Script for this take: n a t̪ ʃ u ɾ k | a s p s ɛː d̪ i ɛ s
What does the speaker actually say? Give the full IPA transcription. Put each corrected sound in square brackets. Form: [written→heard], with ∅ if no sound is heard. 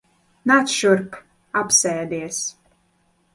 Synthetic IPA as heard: n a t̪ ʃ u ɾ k | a [s→∅] p s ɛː d̪ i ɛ s